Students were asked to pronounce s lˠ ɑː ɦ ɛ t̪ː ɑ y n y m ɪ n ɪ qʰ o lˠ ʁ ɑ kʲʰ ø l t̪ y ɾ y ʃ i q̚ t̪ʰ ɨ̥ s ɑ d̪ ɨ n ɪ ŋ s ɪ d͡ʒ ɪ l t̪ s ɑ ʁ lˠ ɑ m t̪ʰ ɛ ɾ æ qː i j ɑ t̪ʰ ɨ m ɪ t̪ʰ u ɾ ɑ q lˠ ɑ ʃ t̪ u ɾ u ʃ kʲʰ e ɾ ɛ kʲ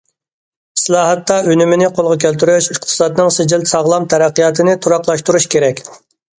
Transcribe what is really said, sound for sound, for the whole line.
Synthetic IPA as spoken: s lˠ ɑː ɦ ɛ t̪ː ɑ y n y m ɪ n ɪ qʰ o lˠ ʁ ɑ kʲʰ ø l t̪ y ɾ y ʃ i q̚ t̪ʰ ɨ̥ s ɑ d̪ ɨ n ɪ ŋ s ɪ d͡ʒ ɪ l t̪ s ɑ ʁ lˠ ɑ m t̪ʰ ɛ ɾ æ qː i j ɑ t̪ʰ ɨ n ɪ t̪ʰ u ɾ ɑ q lˠ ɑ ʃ t̪ u ɾ u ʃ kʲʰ e ɾ ɛ kʲ